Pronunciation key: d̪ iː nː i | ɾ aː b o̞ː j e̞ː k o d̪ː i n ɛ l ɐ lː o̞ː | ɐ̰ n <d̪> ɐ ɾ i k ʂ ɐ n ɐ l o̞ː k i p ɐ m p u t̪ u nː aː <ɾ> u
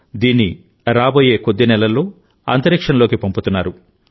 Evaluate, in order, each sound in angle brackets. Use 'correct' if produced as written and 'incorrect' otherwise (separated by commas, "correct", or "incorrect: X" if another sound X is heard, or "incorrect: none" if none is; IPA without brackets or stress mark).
incorrect: t̪, correct